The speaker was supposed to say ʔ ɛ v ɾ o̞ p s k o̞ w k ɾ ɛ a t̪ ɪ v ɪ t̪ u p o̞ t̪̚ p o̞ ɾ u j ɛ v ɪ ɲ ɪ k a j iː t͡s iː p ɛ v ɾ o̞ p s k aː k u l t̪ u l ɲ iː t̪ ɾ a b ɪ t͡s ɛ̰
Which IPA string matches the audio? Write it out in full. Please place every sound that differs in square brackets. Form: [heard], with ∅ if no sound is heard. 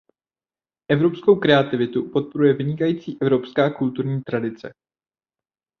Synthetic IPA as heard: ʔ ɛ v ɾ o̞ p s k o̞ w k ɾ ɛ a t̪ ɪ v ɪ t̪ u p o̞ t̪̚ p o̞ ɾ u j ɛ v ɪ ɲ ɪ k a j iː t͡s iː [ʔ] ɛ v ɾ o̞ p s k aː k u l t̪ u [ɾ] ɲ iː t̪ ɾ a [d] ɪ t͡s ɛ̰